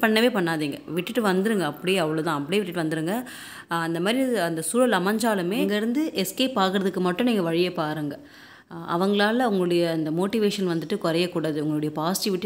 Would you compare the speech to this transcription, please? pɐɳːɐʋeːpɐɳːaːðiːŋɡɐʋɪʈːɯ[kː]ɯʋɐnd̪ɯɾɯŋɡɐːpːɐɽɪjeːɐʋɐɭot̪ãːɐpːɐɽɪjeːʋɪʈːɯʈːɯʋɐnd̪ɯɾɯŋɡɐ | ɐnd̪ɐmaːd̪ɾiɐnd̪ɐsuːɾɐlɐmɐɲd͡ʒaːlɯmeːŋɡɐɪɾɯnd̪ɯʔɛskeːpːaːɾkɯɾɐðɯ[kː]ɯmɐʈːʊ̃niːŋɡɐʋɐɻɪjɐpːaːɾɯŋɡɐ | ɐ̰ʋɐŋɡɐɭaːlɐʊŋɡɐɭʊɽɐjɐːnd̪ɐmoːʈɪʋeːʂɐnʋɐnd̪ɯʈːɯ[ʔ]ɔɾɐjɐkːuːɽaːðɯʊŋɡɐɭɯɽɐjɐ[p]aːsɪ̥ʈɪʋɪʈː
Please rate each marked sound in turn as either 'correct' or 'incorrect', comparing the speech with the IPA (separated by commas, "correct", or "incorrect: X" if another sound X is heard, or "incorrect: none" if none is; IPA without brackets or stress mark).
incorrect: ʈː, correct, incorrect: k, correct